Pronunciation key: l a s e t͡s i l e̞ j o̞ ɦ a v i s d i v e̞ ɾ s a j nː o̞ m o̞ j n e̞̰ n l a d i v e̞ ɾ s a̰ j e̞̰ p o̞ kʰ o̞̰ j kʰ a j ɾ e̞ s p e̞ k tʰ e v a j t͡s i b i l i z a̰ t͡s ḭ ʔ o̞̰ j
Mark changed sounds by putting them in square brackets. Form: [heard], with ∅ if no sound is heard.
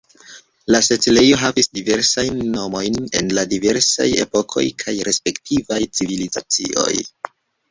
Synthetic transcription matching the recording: l a s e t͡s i l e̞ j o̞ ɦ a v i s d i v e̞ ɾ s a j nː o̞ m o̞ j n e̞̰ n l a d i v e̞ ɾ s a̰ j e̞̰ p o̞ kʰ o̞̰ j kʰ a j ɾ e̞ s p e̞ k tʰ [i] v a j t͡s i [v] i l i z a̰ t͡s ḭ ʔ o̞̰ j